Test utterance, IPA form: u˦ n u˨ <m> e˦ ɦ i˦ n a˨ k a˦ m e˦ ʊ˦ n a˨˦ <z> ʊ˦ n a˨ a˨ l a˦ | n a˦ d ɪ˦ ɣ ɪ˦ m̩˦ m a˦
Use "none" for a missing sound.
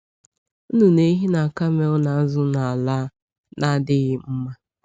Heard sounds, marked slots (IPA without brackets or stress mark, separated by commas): n, z